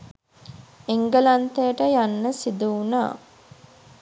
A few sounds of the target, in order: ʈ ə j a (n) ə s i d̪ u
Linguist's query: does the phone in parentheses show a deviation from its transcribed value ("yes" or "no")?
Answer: yes